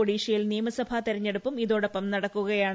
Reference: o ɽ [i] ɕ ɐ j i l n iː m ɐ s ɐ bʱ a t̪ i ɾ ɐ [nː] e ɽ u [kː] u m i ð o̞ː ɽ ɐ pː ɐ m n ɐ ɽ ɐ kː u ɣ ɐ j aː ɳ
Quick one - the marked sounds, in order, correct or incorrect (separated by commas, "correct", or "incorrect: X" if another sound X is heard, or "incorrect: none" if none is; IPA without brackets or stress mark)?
incorrect: iː, incorrect: ɲː, incorrect: pː